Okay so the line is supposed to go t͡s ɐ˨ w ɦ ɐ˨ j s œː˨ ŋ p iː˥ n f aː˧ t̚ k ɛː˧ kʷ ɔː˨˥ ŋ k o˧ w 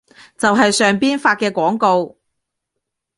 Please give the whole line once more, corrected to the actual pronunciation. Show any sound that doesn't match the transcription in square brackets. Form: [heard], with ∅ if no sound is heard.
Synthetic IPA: t͡s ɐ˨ w ɦ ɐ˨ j s œː˨ ŋ p iː˥ n f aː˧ t̚ k ɛː˧ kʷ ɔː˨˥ ŋ k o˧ w